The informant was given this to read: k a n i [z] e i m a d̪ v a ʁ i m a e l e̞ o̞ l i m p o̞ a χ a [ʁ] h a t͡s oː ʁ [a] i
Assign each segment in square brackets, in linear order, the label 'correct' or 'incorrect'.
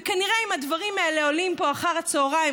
incorrect, correct, correct

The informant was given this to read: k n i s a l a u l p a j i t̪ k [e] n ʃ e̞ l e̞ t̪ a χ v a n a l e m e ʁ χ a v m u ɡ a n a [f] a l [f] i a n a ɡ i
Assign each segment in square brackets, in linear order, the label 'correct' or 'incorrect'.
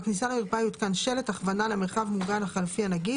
incorrect, incorrect, correct

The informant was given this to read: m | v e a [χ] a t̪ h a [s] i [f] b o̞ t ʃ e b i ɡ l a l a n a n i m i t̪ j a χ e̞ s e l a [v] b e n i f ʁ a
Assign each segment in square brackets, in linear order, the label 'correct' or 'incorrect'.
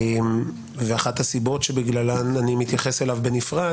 correct, correct, incorrect, correct

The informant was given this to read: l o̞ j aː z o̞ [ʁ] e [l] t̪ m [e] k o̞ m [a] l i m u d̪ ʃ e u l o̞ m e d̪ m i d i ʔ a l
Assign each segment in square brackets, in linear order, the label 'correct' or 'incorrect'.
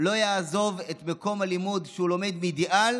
incorrect, incorrect, correct, correct

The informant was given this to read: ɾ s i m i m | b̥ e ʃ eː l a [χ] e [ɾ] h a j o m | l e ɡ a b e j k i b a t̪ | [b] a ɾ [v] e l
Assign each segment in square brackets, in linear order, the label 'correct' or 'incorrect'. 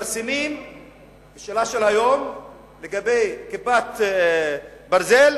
incorrect, incorrect, correct, incorrect

